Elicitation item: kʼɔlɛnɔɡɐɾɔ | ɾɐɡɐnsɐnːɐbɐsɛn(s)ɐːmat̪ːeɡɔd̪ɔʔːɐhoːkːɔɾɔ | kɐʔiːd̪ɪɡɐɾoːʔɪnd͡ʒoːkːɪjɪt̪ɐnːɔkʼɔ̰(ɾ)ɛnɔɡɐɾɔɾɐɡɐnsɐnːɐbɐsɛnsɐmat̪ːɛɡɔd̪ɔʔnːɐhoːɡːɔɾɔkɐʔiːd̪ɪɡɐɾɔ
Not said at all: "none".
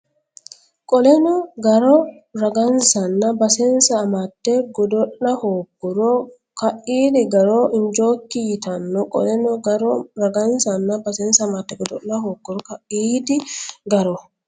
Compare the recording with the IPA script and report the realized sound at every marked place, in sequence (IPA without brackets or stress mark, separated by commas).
s, l